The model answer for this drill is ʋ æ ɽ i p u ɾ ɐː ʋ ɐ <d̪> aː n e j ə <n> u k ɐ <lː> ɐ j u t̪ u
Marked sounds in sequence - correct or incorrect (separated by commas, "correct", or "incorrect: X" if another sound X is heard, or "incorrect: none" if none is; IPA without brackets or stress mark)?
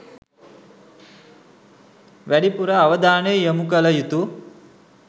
correct, incorrect: m, incorrect: l